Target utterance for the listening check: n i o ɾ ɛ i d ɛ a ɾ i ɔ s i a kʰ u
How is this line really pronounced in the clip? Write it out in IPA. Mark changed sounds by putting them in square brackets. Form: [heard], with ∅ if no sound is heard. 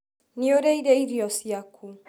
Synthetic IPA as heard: n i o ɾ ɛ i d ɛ [i] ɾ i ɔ s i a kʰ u